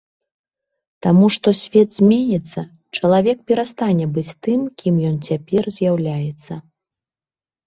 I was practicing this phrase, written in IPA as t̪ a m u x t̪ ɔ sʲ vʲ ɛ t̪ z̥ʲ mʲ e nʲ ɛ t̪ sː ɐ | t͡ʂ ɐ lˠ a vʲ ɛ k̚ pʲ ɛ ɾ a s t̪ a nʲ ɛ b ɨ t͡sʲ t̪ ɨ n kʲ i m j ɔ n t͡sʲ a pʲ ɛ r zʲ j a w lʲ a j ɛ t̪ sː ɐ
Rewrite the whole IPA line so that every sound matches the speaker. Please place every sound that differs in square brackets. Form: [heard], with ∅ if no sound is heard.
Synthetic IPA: t̪ a m u [ʂ] t̪ ɔ sʲ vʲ ɛ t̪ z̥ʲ mʲ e nʲ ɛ t̪ sː ɐ | t͡ʂ ɐ lˠ a vʲ ɛ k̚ pʲ ɛ ɾ a s t̪ a nʲ ɛ b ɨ t͡sʲ t̪ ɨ [m] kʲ i m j ɔ n t͡sʲ a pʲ ɛ r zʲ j a w lʲ a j ɛ t̪ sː ɐ

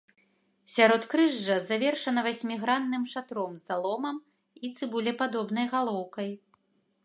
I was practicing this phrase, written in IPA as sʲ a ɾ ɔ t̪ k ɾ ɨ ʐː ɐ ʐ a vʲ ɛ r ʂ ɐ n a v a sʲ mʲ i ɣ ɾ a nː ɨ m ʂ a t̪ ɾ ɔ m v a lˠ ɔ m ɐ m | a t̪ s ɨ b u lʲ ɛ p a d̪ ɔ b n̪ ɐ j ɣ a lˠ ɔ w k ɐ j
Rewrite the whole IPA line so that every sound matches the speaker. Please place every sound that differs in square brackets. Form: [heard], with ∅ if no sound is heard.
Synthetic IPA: sʲ a ɾ ɔ t̪ k ɾ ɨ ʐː ɐ [z] a vʲ ɛ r ʂ ɐ n [ɐ] v a sʲ mʲ i ɣ ɾ a nː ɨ m ʂ a t̪ ɾ ɔ m [z] a lˠ ɔ m ɐ m | [i] t̪ s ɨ b u lʲ ɛ p a d̪ ɔ b n̪ ɐ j ɣ a lˠ ɔ w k ɐ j

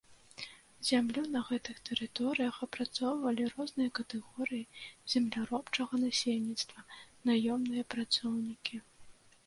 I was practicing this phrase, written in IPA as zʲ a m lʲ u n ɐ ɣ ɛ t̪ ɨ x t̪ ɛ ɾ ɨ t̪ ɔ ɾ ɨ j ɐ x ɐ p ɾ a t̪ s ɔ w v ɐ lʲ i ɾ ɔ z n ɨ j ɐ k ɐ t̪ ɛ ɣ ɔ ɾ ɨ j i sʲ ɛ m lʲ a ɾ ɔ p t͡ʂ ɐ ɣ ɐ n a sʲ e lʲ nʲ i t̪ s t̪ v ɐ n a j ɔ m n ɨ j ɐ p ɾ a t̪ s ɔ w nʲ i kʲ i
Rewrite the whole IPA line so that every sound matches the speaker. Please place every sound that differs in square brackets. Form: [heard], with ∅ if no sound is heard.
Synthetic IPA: zʲ a m lʲ u n ɐ ɣ ɛ t̪ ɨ x t̪ ɛ ɾ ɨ t̪ ɔ ɾ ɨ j ɐ x ɐ p ɾ a t̪ s ɔ w v ɐ lʲ i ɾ ɔ z n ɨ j ɐ k ɐ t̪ ɛ ɣ ɔ ɾ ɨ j i [zʲ] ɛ m lʲ a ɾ ɔ p t͡ʂ ɐ ɣ ɐ n a sʲ e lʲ nʲ i t̪ s t̪ v ɐ n a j ɔ m n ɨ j ɐ p ɾ a t̪ s ɔ w nʲ i kʲ i

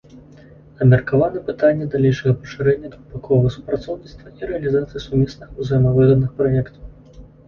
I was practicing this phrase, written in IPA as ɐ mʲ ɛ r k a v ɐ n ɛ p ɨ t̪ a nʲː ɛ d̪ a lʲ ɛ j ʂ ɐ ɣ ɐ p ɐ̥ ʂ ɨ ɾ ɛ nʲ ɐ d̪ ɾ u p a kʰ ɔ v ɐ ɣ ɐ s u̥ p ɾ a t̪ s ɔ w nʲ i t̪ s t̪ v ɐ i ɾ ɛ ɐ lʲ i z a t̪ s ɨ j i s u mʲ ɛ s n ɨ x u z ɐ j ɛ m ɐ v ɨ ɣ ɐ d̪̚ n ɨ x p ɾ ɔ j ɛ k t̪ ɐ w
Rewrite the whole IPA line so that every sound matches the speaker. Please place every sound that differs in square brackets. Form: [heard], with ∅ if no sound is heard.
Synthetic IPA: ɐ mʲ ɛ r k a v [a] n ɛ p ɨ t̪ a nʲː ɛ d̪ a lʲ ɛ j ʂ ɐ ɣ ɐ p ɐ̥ ʂ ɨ ɾ ɛ [nʲː] ɐ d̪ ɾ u p a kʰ ɔ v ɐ ɣ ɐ s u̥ p ɾ a t̪ s ɔ w nʲ i t̪ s t̪ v ɐ i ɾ ɛ ɐ lʲ i z a t̪ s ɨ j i s u mʲ ɛ s n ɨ x u z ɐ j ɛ m ɐ v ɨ ɣ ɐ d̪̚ n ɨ x p ɾ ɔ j ɛ k t̪ ɐ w

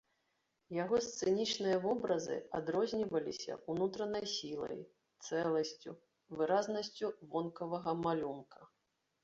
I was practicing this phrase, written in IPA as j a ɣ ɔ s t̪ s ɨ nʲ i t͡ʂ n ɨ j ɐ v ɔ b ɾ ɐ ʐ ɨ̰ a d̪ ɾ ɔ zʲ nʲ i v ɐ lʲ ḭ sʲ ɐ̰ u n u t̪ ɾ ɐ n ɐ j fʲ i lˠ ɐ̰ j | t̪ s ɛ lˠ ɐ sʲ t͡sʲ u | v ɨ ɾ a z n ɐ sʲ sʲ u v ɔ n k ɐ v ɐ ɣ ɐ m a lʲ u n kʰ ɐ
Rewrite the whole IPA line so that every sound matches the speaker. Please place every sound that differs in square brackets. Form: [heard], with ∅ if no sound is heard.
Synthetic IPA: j a ɣ ɔ s t̪ s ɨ nʲ i t͡ʂ n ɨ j ɐ v ɔ b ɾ ɐ [z] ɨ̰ a d̪ ɾ ɔ zʲ nʲ i v ɐ lʲ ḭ sʲ ɐ̰ u n u t̪ ɾ ɐ n ɐ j [sʲ] i lˠ ɐ̰ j | t̪ s ɛ lˠ ɐ sʲ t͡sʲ u | v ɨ ɾ a z n ɐ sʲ [t͡sʲ] u v ɔ n k ɐ v ɐ ɣ ɐ m a lʲ u n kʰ ɐ

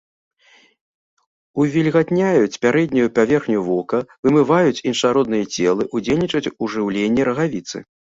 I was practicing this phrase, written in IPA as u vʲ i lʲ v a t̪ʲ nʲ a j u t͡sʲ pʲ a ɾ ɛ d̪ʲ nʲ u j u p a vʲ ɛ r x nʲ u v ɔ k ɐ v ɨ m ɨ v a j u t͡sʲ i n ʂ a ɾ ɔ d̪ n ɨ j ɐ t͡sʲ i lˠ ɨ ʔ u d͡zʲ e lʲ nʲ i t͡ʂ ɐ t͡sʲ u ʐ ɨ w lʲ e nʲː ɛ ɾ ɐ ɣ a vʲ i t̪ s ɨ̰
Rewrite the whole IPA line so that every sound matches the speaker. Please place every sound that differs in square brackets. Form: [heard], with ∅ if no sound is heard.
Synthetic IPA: u vʲ i lʲ [ɣ] a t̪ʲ nʲ a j u t͡sʲ pʲ a ɾ ɛ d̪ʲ nʲ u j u p a vʲ ɛ r x nʲ u v ɔ k ɐ v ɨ m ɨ v a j u t͡sʲ i n ʂ a ɾ ɔ d̪ n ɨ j ɐ t͡sʲ [ɛ] lˠ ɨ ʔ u d͡zʲ e lʲ nʲ i t͡ʂ ɐ t͡sʲ u ʐ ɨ w lʲ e nʲː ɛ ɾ ɐ ɣ a vʲ i t̪ s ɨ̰

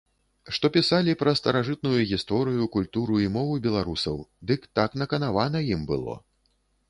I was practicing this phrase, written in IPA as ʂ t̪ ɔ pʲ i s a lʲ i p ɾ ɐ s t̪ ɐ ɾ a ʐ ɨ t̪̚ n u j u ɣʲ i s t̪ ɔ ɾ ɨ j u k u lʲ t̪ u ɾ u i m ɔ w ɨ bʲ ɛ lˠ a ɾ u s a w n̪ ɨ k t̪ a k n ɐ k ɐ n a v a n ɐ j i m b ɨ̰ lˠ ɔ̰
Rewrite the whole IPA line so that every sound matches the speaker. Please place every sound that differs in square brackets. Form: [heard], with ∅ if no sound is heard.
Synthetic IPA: ʂ t̪ ɔ pʲ i s a lʲ i p ɾ ɐ s t̪ ɐ ɾ a ʐ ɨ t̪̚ n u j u ɣʲ i s t̪ ɔ ɾ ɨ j u k u lʲ t̪ u ɾ u i m ɔ [v] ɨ bʲ ɛ lˠ a ɾ u s [ɐ] w [d̪] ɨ k t̪ a k n ɐ k ɐ n a v a n ɐ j i m b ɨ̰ lˠ ɔ̰

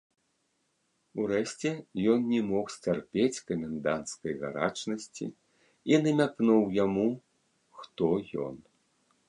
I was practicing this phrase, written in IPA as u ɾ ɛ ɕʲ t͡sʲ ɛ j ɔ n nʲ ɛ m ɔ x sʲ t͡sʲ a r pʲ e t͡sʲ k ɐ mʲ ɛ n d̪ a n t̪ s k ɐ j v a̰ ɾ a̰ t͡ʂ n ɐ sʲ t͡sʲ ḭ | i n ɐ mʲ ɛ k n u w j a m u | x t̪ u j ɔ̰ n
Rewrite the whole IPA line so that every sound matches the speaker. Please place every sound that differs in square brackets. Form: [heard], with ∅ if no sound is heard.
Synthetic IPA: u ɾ ɛ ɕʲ t͡sʲ ɛ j ɔ n nʲ ɛ m ɔ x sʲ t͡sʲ a r pʲ e t͡sʲ k ɐ mʲ ɛ n d̪ a n t̪ s k ɐ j [ɣ] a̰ ɾ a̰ t͡ʂ n ɐ sʲ t͡sʲ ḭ | i n ɐ mʲ [a] k n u w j a m u | x t̪ [ɔ] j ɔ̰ n

